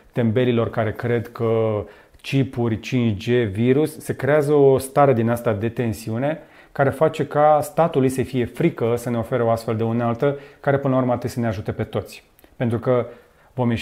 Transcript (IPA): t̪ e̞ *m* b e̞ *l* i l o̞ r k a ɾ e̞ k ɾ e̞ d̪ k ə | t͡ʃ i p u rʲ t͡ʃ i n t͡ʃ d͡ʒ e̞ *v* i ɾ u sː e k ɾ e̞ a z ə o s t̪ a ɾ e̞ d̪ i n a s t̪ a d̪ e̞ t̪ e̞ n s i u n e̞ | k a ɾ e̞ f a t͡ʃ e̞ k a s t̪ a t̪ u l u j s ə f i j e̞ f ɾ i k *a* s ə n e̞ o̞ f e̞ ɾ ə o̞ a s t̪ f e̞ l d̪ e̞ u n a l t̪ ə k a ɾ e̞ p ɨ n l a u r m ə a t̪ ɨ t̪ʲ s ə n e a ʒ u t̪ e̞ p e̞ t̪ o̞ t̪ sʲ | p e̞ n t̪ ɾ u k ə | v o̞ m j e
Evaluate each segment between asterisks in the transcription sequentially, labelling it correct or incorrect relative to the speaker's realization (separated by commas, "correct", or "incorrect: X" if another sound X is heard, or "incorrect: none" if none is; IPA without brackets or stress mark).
correct, correct, correct, incorrect: ə